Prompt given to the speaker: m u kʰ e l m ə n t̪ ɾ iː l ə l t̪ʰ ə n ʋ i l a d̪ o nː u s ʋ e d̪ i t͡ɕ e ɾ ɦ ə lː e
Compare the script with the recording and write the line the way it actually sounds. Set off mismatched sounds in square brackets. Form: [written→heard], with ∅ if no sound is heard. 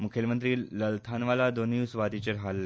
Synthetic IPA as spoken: m u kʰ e l m ə n t̪ ɾ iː l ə l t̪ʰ [ə→a] n ʋ [i→a] l a d̪ o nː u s ʋ [e→a] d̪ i t͡ɕ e ɾ ɦ [ə→a] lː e